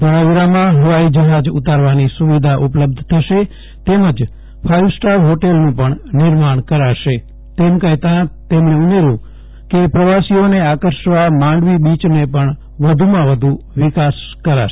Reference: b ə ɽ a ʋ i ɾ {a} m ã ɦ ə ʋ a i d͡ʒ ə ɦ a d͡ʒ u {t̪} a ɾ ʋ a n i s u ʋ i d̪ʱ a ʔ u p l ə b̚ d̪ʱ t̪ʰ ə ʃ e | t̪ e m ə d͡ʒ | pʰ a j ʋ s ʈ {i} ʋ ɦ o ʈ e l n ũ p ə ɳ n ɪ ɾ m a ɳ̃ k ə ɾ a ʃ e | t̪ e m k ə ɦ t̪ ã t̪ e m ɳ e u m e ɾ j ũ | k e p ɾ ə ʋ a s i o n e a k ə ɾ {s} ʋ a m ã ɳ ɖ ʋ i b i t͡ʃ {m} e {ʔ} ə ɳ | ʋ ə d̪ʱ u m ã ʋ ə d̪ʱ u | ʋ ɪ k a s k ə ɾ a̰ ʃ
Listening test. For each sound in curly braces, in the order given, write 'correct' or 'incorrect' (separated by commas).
correct, correct, incorrect, incorrect, incorrect, incorrect